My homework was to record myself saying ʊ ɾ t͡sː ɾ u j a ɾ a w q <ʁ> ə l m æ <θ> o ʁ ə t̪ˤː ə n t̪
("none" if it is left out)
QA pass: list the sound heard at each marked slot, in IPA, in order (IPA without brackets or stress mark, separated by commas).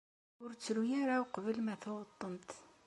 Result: v, θ